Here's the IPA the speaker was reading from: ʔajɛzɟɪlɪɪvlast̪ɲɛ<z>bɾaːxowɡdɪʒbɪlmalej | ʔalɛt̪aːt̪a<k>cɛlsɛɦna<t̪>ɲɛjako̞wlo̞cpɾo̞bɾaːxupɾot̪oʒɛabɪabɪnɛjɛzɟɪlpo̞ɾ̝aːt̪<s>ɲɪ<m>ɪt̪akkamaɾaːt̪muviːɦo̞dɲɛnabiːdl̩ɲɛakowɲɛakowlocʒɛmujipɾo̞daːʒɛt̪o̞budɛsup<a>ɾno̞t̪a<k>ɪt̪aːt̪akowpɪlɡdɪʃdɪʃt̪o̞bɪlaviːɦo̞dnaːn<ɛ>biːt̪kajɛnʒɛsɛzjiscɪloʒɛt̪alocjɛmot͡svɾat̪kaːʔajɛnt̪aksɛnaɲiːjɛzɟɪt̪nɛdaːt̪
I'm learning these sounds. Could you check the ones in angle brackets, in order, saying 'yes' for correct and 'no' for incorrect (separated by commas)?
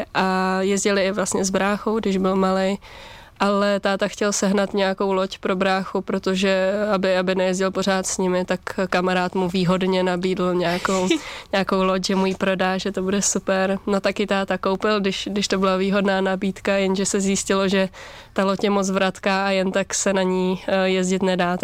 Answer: yes, no, yes, yes, yes, no, yes, no